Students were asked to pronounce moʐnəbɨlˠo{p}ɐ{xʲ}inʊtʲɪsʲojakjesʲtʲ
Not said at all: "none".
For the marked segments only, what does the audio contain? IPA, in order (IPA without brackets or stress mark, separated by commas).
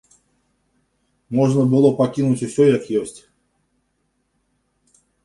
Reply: p, kʲ